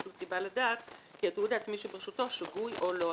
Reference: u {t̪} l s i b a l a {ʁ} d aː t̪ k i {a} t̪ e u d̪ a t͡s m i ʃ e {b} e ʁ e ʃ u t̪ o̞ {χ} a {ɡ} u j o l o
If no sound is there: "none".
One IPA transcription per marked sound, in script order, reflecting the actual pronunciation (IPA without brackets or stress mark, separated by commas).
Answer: none, none, a, b, ʃ, ɡ